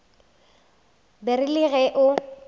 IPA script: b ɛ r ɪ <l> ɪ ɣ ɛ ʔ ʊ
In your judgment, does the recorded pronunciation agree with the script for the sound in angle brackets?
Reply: yes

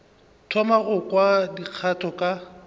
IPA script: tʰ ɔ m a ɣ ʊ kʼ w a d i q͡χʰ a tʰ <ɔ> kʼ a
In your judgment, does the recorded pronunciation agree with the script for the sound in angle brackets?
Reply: yes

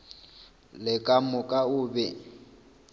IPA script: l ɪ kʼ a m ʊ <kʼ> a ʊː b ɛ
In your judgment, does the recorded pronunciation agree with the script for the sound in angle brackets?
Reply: yes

